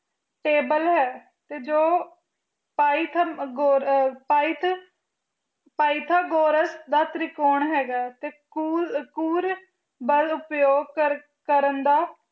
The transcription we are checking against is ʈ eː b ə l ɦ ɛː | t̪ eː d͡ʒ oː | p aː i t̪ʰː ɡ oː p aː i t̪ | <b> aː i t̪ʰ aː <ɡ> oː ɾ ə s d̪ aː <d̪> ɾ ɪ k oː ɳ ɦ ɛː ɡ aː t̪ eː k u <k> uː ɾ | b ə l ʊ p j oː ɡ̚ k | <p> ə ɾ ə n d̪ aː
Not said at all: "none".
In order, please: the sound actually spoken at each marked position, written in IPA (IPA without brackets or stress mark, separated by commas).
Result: p, ɡ, t̪, k, k